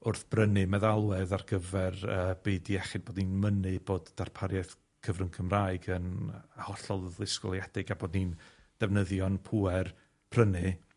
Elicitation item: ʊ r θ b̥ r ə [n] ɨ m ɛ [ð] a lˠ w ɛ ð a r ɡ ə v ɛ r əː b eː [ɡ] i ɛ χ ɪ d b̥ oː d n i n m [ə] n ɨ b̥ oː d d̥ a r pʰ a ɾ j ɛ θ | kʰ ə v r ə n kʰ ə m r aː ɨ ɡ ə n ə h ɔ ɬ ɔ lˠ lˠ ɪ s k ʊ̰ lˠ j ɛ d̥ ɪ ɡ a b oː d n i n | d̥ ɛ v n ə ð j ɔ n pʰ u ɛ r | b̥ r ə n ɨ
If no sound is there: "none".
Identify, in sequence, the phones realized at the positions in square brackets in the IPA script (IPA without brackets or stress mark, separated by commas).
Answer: n, ð, d, ə